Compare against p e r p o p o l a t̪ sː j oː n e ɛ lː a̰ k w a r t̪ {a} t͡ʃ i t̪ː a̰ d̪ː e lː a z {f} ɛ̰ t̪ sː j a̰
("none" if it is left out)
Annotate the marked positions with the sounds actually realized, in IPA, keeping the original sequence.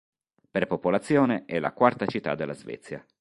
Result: a, v

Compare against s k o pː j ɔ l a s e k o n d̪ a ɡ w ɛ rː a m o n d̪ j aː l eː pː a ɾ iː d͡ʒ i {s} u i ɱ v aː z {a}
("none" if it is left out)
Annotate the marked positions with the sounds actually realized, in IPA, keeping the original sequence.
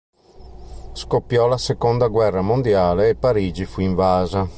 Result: f, a

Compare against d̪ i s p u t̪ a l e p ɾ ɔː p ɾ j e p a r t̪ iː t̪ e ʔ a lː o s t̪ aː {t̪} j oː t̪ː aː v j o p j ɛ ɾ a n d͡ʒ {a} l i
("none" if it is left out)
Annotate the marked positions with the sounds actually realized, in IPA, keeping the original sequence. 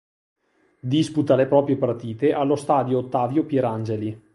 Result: d̪, e

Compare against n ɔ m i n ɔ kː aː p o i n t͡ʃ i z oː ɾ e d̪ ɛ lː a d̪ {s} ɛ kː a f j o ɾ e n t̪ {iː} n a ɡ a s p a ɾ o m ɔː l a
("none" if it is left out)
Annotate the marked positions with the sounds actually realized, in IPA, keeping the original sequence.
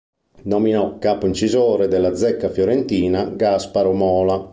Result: z, iː

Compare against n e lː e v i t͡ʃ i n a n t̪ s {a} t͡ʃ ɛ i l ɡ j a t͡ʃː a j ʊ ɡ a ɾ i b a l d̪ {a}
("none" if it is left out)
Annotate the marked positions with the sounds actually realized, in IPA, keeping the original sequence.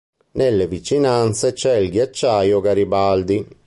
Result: e, i

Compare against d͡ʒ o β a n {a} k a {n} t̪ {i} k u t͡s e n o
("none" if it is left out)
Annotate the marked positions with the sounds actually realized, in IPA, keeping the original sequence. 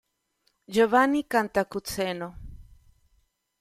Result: i, n, a

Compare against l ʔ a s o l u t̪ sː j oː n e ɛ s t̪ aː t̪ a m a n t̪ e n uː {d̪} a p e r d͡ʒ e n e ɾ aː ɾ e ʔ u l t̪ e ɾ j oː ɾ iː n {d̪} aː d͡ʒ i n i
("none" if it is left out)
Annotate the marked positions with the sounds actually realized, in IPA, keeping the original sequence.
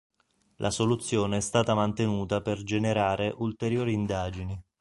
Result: t̪, d̪

